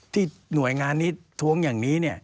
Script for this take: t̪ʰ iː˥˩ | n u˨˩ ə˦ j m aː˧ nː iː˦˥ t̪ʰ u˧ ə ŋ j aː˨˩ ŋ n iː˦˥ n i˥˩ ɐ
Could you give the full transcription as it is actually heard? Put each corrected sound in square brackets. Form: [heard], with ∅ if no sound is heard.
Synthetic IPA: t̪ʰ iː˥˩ | n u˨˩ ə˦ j [ŋ] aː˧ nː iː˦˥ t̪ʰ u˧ ə ŋ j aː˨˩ ŋ n iː˦˥ n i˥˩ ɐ